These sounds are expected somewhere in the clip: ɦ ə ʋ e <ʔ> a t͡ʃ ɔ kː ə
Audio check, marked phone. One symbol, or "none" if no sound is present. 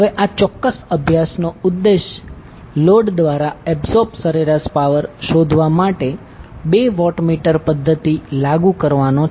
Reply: ʔ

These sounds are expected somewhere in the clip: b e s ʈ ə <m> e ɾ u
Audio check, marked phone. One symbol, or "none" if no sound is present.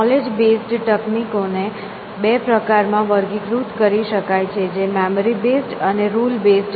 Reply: n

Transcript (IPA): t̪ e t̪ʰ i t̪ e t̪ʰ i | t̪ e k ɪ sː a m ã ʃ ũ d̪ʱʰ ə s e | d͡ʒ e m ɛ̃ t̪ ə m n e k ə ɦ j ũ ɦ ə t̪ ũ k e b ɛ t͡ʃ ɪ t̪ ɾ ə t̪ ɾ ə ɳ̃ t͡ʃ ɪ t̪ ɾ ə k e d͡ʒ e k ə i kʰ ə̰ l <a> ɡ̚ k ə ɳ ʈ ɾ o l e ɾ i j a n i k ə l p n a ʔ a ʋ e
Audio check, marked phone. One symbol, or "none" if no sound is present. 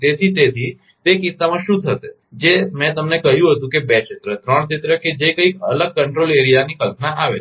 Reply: ə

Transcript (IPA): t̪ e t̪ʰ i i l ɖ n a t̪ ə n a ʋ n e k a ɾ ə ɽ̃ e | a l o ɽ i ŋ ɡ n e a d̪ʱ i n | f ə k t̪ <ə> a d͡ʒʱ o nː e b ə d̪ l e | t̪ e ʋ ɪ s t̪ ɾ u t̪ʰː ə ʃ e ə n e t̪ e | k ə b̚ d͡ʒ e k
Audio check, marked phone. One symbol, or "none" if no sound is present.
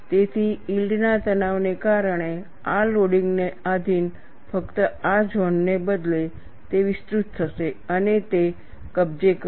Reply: ə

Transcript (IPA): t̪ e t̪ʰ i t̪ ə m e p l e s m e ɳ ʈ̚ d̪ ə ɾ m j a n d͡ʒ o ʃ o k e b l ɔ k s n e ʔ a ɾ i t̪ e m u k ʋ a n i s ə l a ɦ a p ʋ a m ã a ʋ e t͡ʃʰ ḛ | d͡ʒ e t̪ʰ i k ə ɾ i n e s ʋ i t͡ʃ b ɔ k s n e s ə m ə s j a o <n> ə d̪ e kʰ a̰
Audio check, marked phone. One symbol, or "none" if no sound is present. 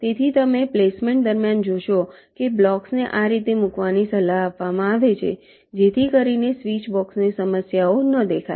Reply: n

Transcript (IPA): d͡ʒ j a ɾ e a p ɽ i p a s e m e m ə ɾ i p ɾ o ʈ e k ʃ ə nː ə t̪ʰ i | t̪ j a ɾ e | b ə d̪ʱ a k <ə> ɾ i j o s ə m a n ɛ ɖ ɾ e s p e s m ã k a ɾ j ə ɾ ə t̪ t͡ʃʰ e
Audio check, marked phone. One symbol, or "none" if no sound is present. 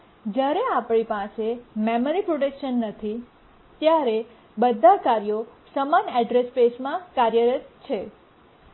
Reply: a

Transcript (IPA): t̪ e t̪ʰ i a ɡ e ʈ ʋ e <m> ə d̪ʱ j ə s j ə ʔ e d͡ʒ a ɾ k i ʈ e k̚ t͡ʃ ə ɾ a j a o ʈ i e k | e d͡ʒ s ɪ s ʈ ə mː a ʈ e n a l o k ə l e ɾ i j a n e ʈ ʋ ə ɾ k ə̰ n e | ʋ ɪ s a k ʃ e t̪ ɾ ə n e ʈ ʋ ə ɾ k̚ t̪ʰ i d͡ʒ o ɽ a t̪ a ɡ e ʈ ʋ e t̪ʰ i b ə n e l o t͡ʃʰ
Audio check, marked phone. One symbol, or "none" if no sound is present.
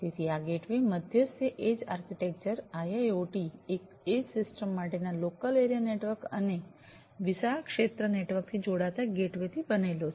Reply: m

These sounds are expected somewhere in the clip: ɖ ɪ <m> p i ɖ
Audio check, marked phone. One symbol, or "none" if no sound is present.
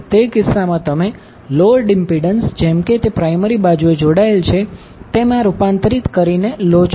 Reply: m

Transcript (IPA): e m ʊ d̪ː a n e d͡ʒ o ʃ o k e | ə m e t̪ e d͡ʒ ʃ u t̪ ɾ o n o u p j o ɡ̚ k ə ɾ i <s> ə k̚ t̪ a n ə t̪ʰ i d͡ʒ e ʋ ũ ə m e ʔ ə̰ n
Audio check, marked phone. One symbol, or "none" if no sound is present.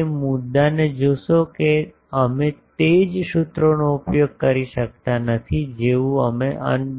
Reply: ʃ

